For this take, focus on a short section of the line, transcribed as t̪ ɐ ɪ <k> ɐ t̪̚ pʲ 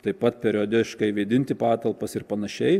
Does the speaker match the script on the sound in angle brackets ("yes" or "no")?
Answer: no